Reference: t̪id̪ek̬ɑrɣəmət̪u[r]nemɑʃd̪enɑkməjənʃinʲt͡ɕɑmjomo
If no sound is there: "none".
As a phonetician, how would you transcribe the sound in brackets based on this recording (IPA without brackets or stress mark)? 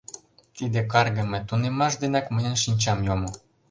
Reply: none